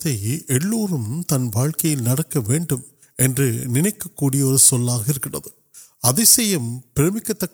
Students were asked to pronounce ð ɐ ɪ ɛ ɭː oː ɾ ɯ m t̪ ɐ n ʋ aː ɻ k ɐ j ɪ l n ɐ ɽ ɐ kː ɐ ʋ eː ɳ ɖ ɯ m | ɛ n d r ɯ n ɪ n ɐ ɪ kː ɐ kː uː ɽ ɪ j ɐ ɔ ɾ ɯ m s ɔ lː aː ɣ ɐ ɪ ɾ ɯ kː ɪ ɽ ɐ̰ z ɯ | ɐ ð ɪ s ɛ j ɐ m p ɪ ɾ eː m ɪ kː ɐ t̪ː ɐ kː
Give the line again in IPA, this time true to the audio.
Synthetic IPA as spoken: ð ɐ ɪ ɛ ɭː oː ɾ ɯ m t̪ ɐ n ʋ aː ɻ k ɐ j ɪ l n ɐ ɽ ɐ kː ɐ ʋ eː ɳ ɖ ɯ m | ɛ n d r ɯ n ɪ n ɐ ɪ kː ɐ kː uː ɽ ɪ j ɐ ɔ ɾ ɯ s ɔ lː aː ɣ ɐ ɪ ɾ ɯ kː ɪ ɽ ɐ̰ ð ɯ | ɐ ð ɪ s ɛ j ɐ m p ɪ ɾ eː m ɪ kː ɐ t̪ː ɐ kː